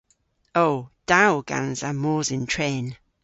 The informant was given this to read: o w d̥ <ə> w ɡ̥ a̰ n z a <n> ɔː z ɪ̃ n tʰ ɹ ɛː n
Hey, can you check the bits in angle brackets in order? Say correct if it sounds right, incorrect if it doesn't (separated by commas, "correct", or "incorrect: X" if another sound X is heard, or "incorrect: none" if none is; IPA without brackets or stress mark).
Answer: incorrect: a, incorrect: m